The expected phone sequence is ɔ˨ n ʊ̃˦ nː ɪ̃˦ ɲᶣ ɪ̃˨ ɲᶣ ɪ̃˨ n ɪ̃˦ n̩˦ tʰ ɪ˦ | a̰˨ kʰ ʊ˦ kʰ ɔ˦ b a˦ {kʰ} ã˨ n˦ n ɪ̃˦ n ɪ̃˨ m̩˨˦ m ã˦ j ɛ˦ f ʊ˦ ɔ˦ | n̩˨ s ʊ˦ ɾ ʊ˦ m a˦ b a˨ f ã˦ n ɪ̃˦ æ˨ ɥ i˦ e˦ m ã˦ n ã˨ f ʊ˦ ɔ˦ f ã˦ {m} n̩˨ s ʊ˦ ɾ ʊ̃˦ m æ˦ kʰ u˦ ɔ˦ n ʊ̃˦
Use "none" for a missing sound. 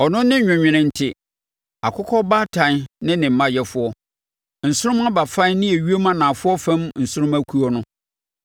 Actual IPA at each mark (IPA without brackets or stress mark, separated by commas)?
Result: tʰ, m